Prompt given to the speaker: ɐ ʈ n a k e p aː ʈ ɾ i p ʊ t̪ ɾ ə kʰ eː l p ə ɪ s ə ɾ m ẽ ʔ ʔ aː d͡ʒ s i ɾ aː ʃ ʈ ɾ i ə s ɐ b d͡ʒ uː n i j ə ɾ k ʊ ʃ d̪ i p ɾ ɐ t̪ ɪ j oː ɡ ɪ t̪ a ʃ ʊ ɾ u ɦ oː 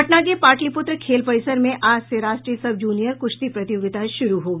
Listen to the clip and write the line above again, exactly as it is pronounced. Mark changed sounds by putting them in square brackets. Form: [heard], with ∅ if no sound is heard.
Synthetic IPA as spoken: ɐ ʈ n a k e p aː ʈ [l] i p ʊ t̪ ɾ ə kʰ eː l p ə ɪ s ə ɾ m ẽ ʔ ʔ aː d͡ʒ s [e] ɾ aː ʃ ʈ ɾ i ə s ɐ b d͡ʒ uː n i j ə ɾ k ʊ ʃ [t̪] i p ɾ ɐ t̪ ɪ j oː ɡ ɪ t̪ a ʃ ʊ ɾ u ɦ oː